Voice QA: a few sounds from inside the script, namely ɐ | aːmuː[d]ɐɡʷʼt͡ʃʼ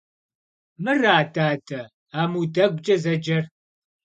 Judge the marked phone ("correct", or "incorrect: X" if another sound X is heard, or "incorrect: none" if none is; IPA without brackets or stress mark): correct